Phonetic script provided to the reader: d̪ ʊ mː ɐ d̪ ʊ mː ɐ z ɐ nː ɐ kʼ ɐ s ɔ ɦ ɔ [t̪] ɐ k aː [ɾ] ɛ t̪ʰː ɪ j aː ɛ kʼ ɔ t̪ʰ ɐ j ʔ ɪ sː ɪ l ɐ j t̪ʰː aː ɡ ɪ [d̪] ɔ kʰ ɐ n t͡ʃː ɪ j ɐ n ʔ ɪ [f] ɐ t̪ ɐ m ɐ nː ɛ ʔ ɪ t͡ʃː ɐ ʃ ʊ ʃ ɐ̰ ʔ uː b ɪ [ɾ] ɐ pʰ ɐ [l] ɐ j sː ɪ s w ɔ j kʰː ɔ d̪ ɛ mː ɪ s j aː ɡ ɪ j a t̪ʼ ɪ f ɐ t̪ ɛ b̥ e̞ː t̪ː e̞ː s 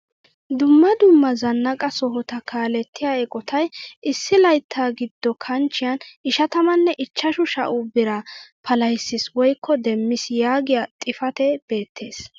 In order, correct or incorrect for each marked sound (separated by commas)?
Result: correct, incorrect, incorrect, incorrect, correct, correct